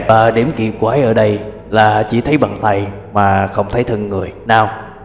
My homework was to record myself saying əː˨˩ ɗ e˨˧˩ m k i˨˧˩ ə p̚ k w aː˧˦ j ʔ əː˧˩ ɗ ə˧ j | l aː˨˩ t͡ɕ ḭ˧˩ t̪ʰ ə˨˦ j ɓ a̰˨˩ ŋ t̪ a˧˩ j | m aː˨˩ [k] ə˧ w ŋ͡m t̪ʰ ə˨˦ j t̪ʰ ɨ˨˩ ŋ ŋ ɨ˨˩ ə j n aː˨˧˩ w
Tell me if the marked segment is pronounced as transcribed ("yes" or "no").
no